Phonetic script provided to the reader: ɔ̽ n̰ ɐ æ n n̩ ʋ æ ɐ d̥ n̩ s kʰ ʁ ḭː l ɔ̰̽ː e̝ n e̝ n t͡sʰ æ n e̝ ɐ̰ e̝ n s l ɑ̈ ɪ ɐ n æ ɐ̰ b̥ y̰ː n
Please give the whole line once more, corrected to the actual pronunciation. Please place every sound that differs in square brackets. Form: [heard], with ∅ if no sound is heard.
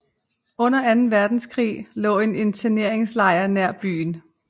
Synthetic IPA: ɔ̽ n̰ ɐ æ n n̩ ʋ æ ɐ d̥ n̩ s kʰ ʁ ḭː l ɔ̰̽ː e̝ n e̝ n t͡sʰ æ n e̝ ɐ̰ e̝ [ŋ] s l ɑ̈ ɪ ɐ n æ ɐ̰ b̥ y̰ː n